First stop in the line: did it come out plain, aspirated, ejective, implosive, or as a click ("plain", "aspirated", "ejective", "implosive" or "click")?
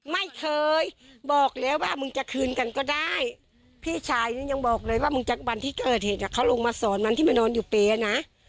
aspirated